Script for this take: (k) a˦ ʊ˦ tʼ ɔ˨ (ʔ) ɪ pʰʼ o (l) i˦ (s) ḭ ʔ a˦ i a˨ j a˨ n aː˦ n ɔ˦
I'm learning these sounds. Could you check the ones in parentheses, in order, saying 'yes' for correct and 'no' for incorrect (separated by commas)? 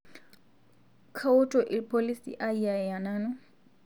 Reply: no, yes, yes, yes